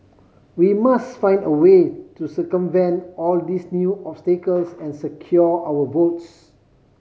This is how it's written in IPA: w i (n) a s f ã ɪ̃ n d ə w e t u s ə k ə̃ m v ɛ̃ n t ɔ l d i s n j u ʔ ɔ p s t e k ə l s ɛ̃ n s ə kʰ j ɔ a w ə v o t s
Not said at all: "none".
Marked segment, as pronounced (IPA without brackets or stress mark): m